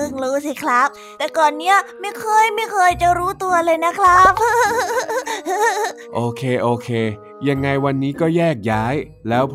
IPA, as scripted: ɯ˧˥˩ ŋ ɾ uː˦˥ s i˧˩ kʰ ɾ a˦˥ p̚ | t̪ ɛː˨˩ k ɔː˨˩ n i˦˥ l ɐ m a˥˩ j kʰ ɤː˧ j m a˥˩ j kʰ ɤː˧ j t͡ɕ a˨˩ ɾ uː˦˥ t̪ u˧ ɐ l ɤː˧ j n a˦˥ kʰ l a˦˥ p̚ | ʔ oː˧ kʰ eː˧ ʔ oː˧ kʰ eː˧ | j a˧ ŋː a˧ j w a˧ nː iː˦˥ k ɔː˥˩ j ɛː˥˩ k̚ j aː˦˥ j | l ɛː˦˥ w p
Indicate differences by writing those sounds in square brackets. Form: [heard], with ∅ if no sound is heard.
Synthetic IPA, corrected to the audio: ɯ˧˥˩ ŋ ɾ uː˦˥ s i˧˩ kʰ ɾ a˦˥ p̚ | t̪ ɛː˨˩ k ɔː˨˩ [nː] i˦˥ [∅] ɐ m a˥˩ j kʰ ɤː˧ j m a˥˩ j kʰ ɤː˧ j t͡ɕ a˨˩ ɾ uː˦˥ t̪ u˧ ɐ l ɤː˧ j n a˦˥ kʰ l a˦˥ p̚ | ʔ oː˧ kʰ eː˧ ʔ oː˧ kʰ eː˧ | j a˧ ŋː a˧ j w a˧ nː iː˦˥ k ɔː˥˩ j ɛː˥˩ k̚ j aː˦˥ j | l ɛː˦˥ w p